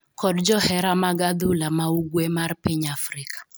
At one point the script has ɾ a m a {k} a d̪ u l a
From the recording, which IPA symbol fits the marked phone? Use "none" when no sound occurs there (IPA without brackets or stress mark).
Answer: ɡ